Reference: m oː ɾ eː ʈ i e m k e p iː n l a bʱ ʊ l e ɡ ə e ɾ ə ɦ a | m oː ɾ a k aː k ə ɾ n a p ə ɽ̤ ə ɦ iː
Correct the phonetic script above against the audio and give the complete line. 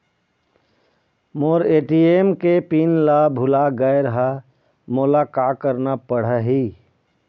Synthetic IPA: m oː ɾ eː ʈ i e m k e p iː n l a bʱ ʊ l a ɡ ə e ɾ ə ɦ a | m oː l a k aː k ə ɾ n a p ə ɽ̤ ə ɦ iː